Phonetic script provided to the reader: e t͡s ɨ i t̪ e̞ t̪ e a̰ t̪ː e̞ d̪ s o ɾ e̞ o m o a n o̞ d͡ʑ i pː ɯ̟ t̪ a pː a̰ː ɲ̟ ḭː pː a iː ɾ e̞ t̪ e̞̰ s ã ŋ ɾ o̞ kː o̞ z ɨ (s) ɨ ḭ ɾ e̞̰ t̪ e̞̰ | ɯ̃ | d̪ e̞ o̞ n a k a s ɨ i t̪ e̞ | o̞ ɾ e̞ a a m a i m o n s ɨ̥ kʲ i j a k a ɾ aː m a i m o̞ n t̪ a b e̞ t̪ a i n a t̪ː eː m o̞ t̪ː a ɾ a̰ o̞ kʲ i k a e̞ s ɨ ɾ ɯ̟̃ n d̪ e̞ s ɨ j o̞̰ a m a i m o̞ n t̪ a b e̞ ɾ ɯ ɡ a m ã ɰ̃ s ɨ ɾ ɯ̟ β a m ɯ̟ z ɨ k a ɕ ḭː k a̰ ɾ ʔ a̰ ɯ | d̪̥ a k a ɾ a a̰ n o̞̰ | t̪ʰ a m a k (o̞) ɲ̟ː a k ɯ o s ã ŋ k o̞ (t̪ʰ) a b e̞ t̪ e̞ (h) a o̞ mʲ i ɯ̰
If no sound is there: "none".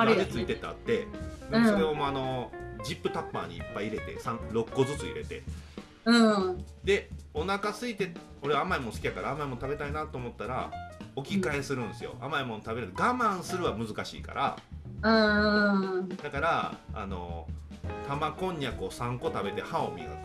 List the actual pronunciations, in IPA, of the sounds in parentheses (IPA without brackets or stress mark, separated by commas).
t͡s, õ̞, t̪, h